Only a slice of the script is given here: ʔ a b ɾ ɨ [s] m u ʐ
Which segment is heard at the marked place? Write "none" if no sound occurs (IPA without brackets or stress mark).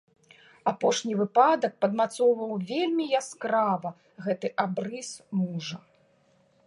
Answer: s